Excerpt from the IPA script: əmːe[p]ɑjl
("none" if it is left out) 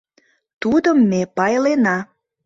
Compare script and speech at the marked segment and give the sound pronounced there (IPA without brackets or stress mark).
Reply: p